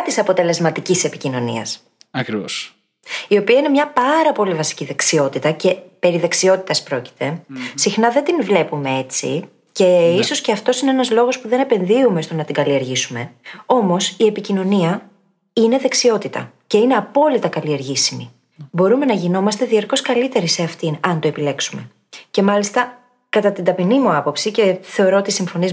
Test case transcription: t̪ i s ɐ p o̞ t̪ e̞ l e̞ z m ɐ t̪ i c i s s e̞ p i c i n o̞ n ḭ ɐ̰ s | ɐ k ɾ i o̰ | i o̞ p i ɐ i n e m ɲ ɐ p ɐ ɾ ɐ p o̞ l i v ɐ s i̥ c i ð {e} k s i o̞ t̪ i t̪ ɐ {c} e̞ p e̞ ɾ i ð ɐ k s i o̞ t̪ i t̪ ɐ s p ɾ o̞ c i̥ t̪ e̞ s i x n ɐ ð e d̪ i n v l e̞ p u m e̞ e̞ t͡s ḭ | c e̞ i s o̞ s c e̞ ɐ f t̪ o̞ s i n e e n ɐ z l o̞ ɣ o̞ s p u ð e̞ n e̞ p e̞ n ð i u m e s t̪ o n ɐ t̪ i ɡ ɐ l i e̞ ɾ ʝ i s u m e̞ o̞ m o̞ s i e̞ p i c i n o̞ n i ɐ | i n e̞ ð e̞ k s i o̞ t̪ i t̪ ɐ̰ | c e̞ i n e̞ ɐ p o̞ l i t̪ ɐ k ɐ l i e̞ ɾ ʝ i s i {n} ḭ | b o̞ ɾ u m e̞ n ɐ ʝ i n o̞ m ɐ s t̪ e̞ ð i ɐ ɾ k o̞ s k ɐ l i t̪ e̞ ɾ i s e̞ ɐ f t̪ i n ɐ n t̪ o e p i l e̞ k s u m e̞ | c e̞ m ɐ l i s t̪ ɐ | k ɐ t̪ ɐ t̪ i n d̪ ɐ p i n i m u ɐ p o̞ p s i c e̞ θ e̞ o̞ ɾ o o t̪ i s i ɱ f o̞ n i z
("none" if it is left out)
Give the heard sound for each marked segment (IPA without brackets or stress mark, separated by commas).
e, c, m